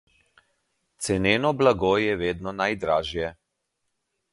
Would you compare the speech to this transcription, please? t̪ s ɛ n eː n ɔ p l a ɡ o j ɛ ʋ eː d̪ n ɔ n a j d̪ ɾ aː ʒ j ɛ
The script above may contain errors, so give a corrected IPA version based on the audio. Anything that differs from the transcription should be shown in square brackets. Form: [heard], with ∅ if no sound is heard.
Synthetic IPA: t̪ s ɛ n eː n ɔ [b] l a ɡ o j ɛ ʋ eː d̪ n ɔ n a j d̪ ɾ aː ʒ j ɛ